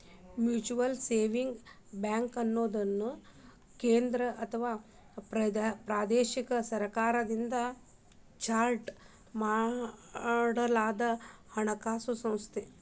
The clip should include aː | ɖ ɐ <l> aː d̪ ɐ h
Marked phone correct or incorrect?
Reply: correct